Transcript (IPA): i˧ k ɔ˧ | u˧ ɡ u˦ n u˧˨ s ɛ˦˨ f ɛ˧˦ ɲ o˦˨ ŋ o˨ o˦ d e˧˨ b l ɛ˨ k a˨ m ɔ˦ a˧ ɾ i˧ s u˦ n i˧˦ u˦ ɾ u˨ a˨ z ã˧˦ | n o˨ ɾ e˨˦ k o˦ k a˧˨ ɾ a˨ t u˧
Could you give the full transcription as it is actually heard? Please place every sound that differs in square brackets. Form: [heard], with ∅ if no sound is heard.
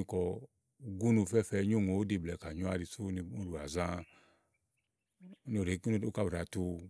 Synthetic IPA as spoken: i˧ k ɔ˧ | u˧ ɡ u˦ n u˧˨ [f] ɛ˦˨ f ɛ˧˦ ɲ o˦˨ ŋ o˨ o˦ d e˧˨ b l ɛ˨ k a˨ [ɲ] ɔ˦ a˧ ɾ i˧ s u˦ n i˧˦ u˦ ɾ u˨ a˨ z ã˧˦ | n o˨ ɾ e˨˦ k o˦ k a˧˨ ɾ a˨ t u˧